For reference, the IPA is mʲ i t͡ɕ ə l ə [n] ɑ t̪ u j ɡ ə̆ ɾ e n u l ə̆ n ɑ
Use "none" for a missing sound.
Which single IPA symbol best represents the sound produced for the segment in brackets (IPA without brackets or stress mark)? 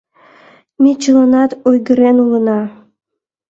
n